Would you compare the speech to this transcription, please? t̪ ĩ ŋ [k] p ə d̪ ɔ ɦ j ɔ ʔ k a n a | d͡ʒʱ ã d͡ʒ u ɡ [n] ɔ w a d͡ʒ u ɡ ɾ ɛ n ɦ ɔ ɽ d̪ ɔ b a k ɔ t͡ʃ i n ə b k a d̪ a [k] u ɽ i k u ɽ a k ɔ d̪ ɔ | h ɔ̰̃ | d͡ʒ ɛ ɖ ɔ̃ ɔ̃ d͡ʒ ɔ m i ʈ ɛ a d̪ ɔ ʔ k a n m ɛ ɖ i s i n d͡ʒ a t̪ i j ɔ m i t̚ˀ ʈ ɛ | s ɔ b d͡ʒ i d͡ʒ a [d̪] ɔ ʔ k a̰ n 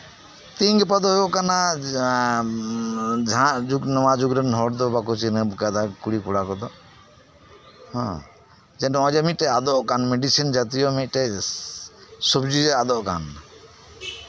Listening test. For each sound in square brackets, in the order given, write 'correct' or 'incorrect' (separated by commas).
incorrect, correct, correct, correct